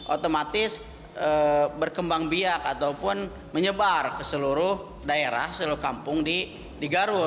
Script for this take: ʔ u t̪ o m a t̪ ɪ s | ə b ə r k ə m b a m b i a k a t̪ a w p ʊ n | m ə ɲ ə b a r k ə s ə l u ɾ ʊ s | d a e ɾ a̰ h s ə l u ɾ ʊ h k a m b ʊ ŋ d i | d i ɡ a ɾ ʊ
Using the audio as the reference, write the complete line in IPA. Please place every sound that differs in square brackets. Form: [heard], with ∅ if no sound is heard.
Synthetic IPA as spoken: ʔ [o] t̪ o m a t̪ ɪ s | ə b ə r k ə m b a [ŋ] b i a k a t̪ a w p ʊ n | m ə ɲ ə b a r k ə s ə l u ɾ ʊ [h] | d a e ɾ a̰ h s ə l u ɾ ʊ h k a m [p] ʊ ŋ d i | d i ɡ a ɾ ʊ